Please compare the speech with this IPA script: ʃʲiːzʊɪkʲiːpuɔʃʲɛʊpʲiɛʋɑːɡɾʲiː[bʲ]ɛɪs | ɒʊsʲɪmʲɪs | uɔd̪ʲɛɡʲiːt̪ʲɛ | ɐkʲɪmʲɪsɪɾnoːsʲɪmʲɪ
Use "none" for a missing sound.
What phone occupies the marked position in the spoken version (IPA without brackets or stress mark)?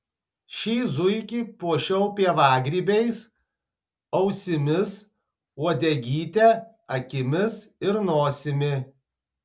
bʲ